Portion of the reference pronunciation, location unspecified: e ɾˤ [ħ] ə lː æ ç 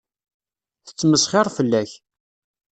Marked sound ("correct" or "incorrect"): incorrect